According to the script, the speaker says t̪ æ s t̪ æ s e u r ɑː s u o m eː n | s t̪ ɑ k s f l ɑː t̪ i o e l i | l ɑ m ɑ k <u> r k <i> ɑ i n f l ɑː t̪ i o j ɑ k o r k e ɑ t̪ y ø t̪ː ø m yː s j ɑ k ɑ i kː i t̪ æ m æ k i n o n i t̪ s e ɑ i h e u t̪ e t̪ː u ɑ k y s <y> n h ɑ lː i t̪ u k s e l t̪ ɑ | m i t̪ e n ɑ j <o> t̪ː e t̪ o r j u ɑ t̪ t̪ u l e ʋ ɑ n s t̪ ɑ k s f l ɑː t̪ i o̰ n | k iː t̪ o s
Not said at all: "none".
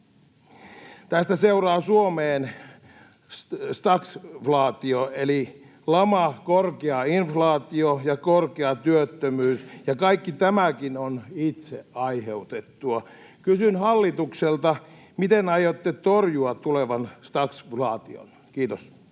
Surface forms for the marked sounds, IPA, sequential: o, e, y, o

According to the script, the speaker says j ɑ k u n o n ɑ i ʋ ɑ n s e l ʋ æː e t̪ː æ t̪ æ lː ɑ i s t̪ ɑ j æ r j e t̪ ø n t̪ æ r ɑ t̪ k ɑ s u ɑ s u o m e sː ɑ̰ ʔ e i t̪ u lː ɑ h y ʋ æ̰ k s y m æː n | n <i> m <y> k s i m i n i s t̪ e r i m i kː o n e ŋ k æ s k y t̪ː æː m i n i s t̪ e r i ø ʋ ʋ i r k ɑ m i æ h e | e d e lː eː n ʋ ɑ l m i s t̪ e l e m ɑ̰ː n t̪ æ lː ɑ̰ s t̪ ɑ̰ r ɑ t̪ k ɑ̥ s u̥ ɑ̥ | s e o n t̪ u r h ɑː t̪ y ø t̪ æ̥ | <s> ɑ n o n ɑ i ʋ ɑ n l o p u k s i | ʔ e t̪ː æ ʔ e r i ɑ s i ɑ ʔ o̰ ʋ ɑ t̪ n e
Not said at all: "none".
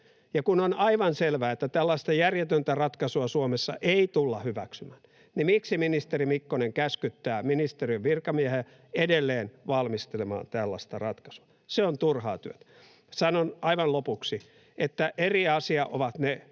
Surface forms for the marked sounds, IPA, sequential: i, i, s

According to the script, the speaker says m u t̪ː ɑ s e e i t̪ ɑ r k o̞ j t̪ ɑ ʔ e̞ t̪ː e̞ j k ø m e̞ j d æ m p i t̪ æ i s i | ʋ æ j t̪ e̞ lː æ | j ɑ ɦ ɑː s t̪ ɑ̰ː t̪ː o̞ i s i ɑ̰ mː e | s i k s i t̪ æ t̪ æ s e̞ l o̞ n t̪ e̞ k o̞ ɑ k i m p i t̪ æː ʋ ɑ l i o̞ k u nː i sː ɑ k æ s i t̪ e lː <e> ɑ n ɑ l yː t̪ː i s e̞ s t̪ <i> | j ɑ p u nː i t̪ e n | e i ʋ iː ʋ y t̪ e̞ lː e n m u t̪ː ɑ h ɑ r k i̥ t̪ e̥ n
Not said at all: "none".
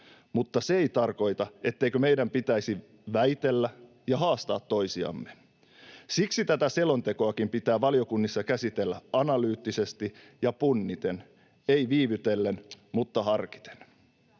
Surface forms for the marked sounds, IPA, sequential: æ, i

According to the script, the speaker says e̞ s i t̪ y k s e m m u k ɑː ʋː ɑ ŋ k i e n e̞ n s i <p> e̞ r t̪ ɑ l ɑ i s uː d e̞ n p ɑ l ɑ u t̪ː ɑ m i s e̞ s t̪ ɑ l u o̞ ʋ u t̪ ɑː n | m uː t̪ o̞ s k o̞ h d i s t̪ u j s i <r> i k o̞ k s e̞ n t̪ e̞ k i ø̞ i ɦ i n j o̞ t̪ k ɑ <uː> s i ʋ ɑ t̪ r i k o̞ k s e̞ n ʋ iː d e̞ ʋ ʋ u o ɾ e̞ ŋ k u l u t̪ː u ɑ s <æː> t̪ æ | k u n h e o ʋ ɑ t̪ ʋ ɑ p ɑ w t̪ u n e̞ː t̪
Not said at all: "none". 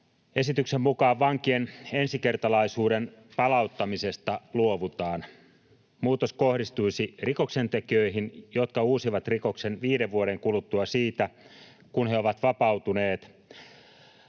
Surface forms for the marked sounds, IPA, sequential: k, r, uː, iː

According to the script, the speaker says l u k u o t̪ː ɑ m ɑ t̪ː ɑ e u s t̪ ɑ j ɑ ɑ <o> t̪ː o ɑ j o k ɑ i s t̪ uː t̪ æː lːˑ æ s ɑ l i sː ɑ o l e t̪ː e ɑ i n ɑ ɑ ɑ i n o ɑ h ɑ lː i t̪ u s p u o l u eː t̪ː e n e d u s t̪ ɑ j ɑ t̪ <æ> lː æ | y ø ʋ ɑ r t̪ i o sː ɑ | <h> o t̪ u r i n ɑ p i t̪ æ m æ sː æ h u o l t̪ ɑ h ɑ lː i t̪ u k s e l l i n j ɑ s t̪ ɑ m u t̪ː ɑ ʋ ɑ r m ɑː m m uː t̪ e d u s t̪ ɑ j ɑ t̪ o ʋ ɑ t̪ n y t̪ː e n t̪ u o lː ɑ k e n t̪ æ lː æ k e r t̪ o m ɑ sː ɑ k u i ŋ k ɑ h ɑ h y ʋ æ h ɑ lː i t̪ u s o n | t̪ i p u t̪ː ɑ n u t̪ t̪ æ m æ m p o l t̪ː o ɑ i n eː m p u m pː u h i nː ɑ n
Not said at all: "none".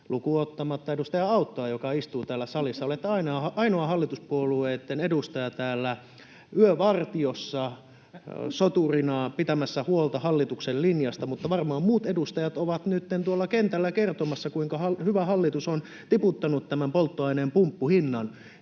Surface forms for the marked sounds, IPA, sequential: u, æː, s

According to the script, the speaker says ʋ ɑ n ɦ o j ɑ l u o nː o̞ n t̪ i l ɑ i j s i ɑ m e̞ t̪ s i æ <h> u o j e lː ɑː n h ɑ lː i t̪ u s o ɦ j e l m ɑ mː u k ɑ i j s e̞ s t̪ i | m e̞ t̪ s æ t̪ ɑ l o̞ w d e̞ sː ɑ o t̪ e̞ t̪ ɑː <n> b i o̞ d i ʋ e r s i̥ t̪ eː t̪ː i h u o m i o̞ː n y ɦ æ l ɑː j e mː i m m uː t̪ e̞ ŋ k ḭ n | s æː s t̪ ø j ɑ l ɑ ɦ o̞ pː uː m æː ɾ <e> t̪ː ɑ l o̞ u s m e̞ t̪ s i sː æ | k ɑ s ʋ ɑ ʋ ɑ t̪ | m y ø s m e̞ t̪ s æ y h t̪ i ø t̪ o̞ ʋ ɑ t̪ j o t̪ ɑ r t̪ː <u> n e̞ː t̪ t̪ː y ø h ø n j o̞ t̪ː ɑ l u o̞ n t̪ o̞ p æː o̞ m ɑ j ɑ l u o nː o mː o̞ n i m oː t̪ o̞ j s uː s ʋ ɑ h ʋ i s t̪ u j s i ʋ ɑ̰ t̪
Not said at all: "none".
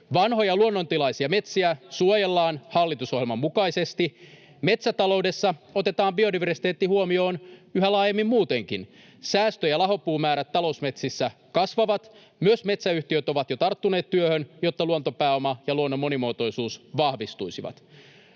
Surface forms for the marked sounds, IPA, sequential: s, m, æ, u

